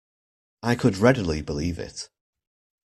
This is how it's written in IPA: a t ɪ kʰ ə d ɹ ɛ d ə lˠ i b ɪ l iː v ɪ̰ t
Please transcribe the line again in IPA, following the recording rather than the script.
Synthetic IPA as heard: a ɪ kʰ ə d ɹ ɛ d ə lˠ i b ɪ l iː v ɪ̰ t